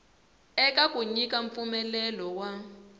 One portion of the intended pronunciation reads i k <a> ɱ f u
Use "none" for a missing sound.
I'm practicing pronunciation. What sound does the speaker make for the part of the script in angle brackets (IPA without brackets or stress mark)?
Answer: a